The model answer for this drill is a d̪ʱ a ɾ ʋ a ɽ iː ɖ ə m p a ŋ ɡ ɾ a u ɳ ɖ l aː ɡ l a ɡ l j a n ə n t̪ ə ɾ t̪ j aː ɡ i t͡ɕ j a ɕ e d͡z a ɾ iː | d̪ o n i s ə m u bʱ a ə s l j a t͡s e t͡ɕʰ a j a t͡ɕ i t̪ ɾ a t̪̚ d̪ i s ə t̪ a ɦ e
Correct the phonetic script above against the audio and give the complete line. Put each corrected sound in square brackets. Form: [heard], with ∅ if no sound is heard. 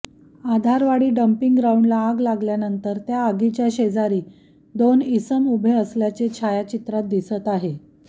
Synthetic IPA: a d̪ʱ a ɾ ʋ a ɽ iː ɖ ə m p [i] ŋ ɡ ɾ a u ɳ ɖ l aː ɡ l a ɡ l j a n ə n t̪ ə ɾ t̪ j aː ɡ i t͡ɕ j a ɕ e d͡z a ɾ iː | d̪ o n i s ə m u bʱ [e] ə s l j a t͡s e t͡ɕʰ a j a t͡ɕ i t̪ ɾ a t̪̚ d̪ i s ə t̪ a ɦ e

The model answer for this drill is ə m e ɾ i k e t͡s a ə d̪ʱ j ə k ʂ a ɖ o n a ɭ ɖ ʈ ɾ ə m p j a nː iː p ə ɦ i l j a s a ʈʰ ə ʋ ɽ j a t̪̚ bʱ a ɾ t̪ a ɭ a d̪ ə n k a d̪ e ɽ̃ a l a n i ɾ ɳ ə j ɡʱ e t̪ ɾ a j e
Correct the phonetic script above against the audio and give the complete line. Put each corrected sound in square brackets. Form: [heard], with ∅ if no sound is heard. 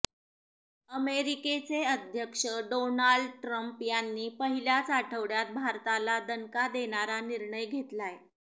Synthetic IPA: ə m e ɾ i k e t͡s [e] ə d̪ʱ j ə k ʂ [ə] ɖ o n a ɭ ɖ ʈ ɾ ə m p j a nː iː p ə ɦ i l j a [t͡s] a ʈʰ ə ʋ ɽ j a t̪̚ bʱ a ɾ t̪ a [l] a d̪ ə n k a d̪ e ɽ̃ a [ɾ] a n i ɾ ɳ ə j ɡʱ e t̪ [l] a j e

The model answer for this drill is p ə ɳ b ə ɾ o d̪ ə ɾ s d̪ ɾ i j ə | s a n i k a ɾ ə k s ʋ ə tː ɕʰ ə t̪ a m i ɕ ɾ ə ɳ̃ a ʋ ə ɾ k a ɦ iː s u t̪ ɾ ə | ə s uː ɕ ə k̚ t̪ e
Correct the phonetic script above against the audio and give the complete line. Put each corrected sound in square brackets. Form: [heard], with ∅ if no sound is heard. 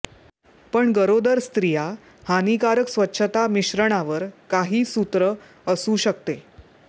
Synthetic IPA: p ə ɳ [ɡ] ə ɾ o d̪ ə ɾ s [t̪] ɾ i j [a] | [h] a n i k a ɾ ə k s ʋ ə tː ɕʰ ə t̪ a m i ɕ ɾ ə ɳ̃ a ʋ ə ɾ k a ɦ iː s u t̪ ɾ ə | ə s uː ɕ ə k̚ t̪ e

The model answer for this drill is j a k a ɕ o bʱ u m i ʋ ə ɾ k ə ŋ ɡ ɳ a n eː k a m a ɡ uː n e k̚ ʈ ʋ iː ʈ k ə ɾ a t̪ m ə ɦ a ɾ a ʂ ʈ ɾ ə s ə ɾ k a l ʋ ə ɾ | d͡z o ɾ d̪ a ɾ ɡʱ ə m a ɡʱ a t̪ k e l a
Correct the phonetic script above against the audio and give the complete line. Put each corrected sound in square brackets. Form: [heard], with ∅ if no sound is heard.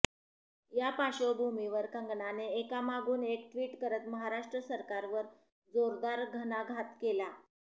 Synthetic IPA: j a [p] a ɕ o bʱ u m i ʋ ə ɾ k ə ŋ ɡ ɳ a n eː k a m a ɡ uː n e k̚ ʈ ʋ iː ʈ k ə ɾ [ə] t̪ m ə ɦ a ɾ a ʂ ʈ ɾ ə s ə ɾ k a [ɾ] ʋ ə ɾ | d͡z o ɾ d̪ a ɾ ɡʱ ə [n] a ɡʱ a t̪ k e l a

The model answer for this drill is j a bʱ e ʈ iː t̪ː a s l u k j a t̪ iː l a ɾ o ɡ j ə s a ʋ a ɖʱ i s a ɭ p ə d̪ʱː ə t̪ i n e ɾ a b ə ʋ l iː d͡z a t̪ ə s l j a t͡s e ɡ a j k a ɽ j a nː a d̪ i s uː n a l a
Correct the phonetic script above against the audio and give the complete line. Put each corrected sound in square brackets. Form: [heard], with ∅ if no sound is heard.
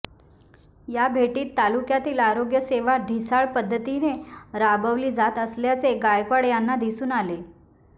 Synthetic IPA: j a bʱ e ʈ iː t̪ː a [∅] l u k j a t̪ iː l a ɾ o ɡ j ə s [e] ʋ a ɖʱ i s a ɭ p ə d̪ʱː ə t̪ i n e ɾ a b ə ʋ l iː d͡z a t̪ ə s l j a t͡s e ɡ a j k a ɽ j a nː a d̪ i s uː n a l [e]

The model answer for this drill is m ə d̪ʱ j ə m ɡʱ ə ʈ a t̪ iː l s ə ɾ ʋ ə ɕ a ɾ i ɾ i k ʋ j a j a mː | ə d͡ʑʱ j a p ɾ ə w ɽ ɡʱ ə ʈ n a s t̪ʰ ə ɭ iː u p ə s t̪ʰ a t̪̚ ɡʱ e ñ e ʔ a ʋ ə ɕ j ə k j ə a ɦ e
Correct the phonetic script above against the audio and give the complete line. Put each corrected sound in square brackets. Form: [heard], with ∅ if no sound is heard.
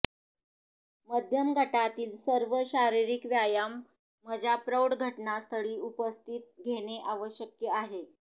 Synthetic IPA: m ə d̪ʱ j ə m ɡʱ ə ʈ a t̪ iː l s ə ɾ ʋ ə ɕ a ɾ i ɾ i k ʋ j a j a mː | ə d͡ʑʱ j a p ɾ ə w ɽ ɡʱ ə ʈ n a s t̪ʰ ə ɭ iː u p ə s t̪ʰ [i] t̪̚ ɡʱ e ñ e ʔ a ʋ ə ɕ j ə k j ə a ɦ e

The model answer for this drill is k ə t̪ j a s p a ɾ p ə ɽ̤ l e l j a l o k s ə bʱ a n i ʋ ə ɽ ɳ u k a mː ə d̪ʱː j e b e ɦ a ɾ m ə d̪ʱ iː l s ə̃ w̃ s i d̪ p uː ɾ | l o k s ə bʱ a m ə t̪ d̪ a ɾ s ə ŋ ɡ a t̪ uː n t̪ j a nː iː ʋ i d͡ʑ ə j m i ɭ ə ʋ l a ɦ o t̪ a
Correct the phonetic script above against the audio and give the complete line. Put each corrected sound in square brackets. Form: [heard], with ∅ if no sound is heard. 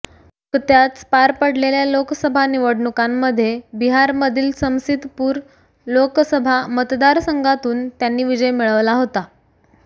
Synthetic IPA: k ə t̪ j a [t͡s] p a ɾ p ə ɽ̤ l e l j a l o k s ə bʱ a n i ʋ ə ɽ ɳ u k a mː ə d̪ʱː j e b [i] ɦ a ɾ m ə d̪ʱ iː l s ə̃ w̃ s i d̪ p uː ɾ | l o k s ə bʱ a m ə t̪ d̪ a ɾ s ə ŋ ɡ a t̪ uː n t̪ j a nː iː ʋ i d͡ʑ ə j m i ɭ ə ʋ l a ɦ o t̪ a

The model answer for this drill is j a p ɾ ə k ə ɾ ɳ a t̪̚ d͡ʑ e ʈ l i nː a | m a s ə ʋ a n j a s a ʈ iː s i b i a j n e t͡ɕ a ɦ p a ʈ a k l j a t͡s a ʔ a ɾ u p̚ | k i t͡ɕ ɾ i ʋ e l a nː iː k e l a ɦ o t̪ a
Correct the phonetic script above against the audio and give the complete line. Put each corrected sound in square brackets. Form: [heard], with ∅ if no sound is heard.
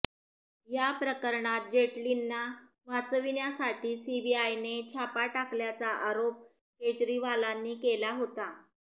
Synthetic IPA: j a p ɾ ə k ə ɾ ɳ a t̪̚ d͡ʑ e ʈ l i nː a | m a [t͡s] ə ʋ [i] n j a s a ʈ iː s i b i a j n e [t͡ɕʰ] a [∅] p a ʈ a k l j a t͡s a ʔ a ɾ [o] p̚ | k [e] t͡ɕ ɾ i ʋ [a] l a nː iː k e l a ɦ o t̪ a

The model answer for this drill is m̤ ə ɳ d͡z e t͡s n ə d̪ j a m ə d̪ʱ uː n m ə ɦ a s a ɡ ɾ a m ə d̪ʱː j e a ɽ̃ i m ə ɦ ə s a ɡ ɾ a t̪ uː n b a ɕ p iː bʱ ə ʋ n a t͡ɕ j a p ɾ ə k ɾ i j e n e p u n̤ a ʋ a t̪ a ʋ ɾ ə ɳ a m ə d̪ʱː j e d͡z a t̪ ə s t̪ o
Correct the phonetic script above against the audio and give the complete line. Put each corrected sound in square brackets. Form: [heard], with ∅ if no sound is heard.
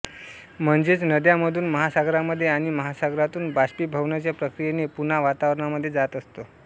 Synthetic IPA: m̤ ə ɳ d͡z e t͡s n ə d̪ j a m ə d̪ʱ uː n m ə ɦ a s a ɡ ɾ a m ə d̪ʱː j e a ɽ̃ i m ə ɦ [a] s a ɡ ɾ a t̪ uː n b a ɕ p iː bʱ ə ʋ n a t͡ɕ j a p ɾ ə k ɾ i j e n e p u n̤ a ʋ a t̪ a ʋ ɾ ə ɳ a m ə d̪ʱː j e d͡z a t̪ ə s t̪ o

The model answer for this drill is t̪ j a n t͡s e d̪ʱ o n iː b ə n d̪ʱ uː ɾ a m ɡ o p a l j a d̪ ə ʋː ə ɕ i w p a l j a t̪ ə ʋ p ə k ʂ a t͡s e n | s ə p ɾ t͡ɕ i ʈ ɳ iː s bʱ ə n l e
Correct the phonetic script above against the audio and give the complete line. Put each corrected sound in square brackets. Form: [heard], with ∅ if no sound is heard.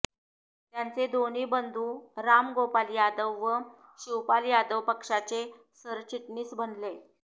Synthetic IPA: t̪ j a n t͡s e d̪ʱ o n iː b ə n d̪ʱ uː ɾ a m ɡ o p a l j a d̪ ə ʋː ə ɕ i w p a l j a [d̪] ə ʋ p ə k ʂ a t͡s e [∅] | s ə [∅] ɾ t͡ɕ i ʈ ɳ iː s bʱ ə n l e

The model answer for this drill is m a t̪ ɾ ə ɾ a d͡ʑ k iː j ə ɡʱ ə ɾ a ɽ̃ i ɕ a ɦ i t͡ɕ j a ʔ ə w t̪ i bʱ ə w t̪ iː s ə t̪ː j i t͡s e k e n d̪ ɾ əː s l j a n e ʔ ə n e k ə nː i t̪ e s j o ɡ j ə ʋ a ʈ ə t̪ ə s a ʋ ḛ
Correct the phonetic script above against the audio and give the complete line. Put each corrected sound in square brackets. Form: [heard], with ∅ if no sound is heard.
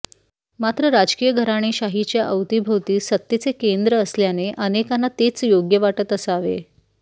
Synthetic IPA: m a t̪ ɾ ə ɾ a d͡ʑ k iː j ə ɡʱ ə ɾ a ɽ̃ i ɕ a ɦ i t͡ɕ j a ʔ ə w t̪ i bʱ ə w t̪ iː s ə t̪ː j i t͡s e k e n d̪ ɾ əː s l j a n e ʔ ə n e k [a] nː [a] t̪ e [t͡s] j o ɡ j ə ʋ a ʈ ə t̪ ə s a ʋ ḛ

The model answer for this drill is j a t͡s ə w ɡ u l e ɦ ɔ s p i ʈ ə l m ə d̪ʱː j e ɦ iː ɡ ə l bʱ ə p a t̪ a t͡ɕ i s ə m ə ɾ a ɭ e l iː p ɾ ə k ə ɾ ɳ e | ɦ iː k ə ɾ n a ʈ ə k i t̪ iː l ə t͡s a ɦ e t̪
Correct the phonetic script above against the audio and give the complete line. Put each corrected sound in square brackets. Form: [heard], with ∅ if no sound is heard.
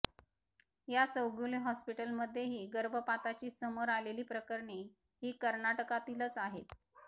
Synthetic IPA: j a t͡s ə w ɡ u l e ɦ ɔ s p i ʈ ə l m ə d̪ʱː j e ɦ iː ɡ ə [ɾ] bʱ ə p a t̪ a t͡ɕ [iː] s ə m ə ɾ a [l] e l iː p ɾ ə k ə ɾ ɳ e | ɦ iː k ə ɾ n a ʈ ə k [a] t̪ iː l ə t͡s a ɦ e t̪

